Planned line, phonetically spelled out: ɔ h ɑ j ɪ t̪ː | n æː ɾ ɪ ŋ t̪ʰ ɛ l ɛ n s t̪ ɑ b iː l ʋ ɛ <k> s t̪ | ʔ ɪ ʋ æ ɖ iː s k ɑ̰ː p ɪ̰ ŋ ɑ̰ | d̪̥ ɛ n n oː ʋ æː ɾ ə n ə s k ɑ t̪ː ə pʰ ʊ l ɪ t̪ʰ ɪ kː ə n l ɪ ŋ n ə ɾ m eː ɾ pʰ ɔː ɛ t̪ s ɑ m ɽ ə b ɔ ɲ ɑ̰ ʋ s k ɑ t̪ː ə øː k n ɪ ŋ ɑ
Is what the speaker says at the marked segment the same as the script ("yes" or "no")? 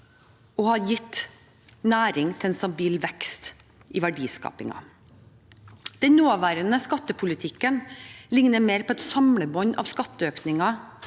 yes